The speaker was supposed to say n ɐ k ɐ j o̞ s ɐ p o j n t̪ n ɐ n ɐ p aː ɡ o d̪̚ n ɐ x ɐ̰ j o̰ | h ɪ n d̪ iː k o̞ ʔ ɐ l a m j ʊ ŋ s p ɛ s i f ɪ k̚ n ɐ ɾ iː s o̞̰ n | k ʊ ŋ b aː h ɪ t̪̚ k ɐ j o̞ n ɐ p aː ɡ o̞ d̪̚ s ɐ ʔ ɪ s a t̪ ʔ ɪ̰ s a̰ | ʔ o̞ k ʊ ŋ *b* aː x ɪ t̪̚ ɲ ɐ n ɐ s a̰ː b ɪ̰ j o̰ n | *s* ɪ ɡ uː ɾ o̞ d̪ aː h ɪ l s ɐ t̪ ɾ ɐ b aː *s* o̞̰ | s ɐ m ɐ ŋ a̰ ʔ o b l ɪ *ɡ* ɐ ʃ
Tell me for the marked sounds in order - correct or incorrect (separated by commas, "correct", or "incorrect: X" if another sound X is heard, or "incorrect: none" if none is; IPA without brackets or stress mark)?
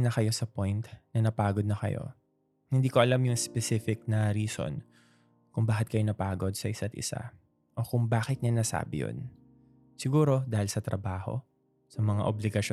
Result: correct, correct, incorrect: h, correct